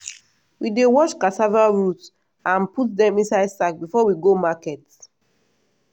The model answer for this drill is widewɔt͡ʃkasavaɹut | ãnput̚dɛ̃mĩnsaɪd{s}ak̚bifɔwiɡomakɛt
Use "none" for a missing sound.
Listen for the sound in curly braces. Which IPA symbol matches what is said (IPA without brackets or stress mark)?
s